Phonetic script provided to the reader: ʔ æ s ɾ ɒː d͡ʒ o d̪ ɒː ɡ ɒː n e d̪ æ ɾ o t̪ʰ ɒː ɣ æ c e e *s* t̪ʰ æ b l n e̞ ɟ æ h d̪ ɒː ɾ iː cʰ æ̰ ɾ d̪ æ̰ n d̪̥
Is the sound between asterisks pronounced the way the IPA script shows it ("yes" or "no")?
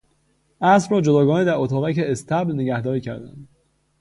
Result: yes